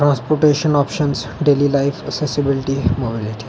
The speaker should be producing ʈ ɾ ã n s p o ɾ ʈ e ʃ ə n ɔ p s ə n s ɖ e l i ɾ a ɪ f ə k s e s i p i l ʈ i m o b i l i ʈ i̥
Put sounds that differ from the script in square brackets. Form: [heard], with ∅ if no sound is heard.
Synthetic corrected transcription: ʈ ɾ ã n s p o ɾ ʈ e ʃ ə n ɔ p [ʃ] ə n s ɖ e l i [l] a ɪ f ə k s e s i [b] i l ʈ i m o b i l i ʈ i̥